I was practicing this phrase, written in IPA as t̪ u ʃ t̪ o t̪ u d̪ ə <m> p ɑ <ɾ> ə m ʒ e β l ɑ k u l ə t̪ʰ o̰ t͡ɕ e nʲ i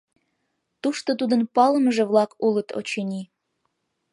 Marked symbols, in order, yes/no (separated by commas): no, no